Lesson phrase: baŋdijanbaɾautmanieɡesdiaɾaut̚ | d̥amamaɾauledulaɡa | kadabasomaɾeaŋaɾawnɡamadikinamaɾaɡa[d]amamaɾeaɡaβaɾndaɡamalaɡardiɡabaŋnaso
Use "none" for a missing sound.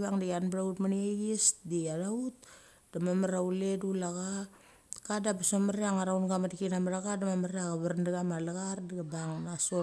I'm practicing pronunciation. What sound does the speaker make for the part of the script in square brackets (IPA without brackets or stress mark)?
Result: d